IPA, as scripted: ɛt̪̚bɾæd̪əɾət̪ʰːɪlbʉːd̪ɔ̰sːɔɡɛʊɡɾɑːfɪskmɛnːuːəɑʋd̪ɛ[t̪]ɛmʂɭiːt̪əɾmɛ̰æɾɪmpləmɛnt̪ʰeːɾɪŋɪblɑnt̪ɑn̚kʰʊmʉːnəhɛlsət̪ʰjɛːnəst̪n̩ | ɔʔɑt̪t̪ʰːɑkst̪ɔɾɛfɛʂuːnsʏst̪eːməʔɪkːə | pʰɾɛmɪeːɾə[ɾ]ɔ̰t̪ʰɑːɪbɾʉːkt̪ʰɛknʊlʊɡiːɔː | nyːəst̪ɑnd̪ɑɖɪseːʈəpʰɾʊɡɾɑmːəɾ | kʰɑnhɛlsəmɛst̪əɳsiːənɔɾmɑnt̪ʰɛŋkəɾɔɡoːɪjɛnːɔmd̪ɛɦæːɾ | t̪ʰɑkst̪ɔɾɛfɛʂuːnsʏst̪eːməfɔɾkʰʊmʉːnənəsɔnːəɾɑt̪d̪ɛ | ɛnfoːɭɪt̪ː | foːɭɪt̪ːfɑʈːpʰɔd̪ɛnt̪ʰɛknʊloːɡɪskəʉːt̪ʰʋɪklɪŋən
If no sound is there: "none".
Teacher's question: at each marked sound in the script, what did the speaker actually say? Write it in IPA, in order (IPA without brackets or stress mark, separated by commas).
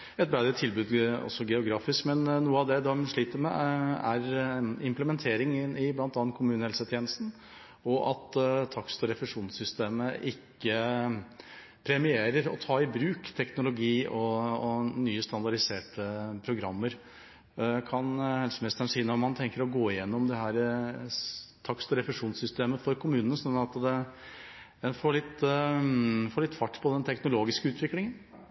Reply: d̪, ɾ